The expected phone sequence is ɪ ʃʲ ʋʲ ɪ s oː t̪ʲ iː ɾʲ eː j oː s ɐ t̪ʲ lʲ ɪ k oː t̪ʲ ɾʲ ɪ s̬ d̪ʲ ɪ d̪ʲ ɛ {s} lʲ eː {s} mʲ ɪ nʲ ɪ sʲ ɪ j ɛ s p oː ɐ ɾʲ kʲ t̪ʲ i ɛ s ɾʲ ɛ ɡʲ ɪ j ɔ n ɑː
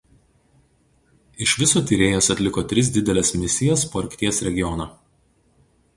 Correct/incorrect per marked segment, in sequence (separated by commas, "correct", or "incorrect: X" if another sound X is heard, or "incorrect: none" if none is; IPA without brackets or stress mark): incorrect: none, correct